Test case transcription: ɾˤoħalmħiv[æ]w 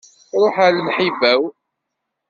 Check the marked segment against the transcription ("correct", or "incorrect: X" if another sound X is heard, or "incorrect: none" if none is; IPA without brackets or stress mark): correct